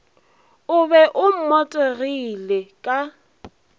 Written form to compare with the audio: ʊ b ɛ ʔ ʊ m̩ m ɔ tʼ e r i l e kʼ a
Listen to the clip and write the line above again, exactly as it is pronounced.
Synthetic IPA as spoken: ʊ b ɛ ʔ ʊ m̩ m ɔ tʼ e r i l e kʼ a